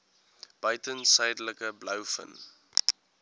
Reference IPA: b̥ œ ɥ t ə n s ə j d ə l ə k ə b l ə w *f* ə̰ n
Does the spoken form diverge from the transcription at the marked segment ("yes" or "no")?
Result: no